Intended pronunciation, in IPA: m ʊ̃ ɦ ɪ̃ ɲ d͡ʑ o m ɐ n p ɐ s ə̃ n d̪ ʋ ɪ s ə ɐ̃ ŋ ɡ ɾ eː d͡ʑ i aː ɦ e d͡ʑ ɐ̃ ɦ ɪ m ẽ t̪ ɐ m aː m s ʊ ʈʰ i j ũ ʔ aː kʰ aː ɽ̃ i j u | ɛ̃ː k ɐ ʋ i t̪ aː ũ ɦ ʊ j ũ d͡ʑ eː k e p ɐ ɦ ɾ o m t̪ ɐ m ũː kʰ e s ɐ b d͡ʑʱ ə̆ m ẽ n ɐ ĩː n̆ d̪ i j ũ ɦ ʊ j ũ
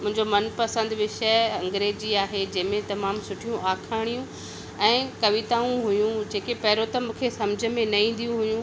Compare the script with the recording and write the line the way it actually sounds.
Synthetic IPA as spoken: m ʊ̃ ɦ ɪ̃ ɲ d͡ʑ o m ɐ n p ɐ s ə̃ n d̪ ʋ ɪ ʃ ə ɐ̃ ŋ ɡ ɾ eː d͡ʑ i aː ɦ e d͡ʑ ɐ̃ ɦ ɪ m ẽ t̪ ɐ m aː m s ʊ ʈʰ i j ũ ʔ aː kʰ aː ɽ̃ i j ũ | ɛ̃ː k ɐ ʋ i t̪ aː ũ ɦ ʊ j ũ d͡ʑ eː k e p ɐ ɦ ɾ o t̪ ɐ m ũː kʰ e s ɐ m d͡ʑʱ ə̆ m ẽ n ɐ ĩː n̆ d̪ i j ũ ɦ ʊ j ũ